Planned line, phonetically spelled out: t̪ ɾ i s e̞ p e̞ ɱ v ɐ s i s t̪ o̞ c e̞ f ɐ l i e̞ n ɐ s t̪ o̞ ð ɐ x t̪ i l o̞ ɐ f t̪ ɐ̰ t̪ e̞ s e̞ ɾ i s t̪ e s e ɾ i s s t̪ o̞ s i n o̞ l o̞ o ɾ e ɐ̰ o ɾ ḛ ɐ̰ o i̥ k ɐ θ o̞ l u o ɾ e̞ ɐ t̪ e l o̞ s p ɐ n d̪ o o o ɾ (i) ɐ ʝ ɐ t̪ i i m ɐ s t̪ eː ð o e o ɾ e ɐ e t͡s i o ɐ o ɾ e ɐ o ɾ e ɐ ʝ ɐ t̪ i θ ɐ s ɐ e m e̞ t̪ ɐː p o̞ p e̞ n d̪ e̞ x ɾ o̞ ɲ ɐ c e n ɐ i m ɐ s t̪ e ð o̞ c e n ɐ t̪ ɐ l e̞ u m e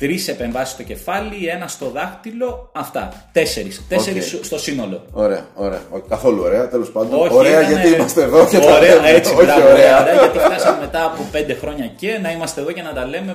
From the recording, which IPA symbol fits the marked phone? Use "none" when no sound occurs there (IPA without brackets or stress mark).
e